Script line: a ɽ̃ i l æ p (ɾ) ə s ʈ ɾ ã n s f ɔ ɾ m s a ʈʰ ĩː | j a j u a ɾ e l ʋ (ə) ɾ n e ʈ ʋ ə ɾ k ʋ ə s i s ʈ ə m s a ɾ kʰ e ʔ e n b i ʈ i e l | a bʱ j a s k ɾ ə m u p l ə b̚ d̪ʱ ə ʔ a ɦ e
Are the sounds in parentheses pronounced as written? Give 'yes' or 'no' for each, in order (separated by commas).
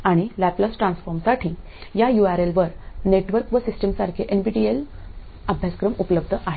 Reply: no, yes